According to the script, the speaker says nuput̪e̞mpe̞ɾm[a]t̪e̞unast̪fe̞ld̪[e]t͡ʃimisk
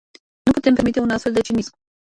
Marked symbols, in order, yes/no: no, yes

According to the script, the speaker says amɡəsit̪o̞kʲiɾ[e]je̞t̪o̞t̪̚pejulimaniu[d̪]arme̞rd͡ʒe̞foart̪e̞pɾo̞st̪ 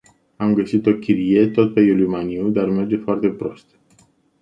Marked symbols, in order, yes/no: no, yes

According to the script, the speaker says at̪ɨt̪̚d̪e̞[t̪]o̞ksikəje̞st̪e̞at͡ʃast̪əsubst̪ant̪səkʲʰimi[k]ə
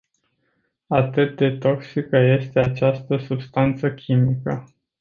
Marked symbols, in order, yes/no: yes, yes

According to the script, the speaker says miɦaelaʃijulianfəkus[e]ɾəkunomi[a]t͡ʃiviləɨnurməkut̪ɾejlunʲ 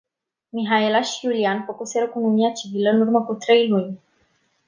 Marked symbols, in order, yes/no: yes, yes

